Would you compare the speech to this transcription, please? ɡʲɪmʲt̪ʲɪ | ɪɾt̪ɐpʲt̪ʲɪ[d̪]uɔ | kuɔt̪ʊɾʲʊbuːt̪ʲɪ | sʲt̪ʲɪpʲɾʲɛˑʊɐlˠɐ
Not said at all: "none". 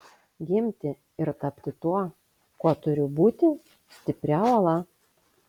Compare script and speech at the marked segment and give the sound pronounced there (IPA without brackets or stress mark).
t̪